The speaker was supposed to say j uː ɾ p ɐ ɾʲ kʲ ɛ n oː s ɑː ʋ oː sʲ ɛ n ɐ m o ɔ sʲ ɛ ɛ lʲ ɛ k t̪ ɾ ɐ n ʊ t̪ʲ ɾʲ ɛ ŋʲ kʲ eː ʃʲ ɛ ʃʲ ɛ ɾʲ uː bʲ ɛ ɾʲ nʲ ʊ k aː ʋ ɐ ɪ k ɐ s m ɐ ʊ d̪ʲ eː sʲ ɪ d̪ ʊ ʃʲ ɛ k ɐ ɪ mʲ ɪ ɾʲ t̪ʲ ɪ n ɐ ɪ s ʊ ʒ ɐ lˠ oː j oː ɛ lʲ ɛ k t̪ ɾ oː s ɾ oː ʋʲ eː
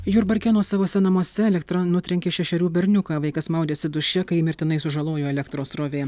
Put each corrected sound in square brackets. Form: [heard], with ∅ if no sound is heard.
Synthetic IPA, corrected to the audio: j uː ɾ [b] ɐ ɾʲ kʲ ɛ n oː s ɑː ʋ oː sʲ ɛ n ɐ m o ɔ sʲ ɛ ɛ lʲ ɛ k t̪ ɾ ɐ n ʊ t̪ʲ ɾʲ ɛ ŋʲ kʲ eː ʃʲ ɛ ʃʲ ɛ ɾʲ uː bʲ ɛ ɾʲ nʲ ʊ k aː ʋ ɐ ɪ k ɐ s m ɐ ʊ d̪ʲ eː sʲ ɪ d̪ ʊ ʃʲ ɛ k ɐ ɪ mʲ ɪ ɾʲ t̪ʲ ɪ n ɐ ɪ s ʊ ʒ ɐ lˠ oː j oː ɛ lʲ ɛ k t̪ ɾ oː s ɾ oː ʋʲ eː